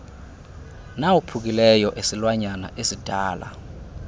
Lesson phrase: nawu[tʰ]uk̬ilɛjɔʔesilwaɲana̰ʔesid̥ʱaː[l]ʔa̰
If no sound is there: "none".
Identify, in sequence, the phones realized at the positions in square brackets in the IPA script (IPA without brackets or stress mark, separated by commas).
pʰ, l